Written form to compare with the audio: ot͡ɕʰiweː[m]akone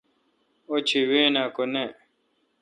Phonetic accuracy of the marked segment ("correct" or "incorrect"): incorrect